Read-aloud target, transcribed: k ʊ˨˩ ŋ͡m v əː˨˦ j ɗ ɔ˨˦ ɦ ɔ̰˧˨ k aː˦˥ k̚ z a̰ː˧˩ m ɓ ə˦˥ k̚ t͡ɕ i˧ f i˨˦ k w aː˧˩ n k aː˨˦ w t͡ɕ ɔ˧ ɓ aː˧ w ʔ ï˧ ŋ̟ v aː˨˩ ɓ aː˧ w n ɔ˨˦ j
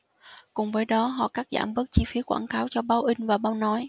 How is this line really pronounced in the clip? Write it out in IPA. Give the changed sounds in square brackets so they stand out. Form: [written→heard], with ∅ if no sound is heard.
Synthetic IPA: k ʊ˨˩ ŋ͡m v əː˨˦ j ɗ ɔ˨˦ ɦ ɔ̰˧˨ k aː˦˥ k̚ z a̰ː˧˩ m ɓ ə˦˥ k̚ t͡ɕ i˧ f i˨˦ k w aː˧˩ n k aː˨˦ w t͡ɕ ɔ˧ ɓ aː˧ w ʔ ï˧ ŋ̟ v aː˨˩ ɓ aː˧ w n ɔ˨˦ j